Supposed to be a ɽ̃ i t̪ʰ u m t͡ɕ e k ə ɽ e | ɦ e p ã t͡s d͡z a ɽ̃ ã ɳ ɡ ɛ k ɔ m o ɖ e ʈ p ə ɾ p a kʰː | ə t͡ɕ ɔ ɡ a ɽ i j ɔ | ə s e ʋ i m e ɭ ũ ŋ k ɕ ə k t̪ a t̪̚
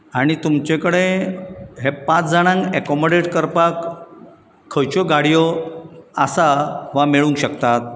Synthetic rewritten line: a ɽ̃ i t̪ u m t͡ɕ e k ə ɽ e | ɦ e p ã t͡s d͡z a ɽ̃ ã ŋ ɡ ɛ k ɔ m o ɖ e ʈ k ə ɾ p a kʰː | ə t͡ɕ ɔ ɡ a ɽ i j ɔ | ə s a ʋ a m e ɭ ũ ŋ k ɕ ə k t̪ a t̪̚